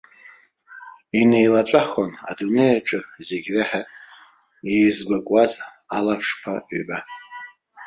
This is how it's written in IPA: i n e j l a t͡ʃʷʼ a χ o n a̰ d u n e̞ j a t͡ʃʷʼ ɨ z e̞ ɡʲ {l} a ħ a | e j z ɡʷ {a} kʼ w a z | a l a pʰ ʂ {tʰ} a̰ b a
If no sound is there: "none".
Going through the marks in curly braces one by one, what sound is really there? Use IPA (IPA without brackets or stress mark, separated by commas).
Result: r, a, pʰ